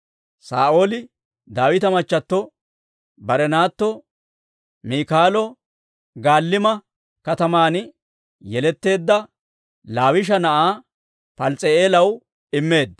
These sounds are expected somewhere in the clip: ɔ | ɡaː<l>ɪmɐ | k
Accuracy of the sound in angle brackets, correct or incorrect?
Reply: incorrect